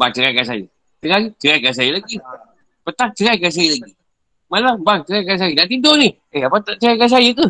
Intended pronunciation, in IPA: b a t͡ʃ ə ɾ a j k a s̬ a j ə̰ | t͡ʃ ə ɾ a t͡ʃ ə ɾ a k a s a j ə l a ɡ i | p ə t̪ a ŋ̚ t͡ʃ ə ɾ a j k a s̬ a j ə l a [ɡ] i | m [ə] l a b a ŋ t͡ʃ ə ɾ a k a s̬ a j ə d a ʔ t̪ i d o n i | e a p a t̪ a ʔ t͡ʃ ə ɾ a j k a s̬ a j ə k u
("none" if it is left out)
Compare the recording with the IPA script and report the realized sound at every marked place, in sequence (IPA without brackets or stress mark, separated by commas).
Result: ɡ, a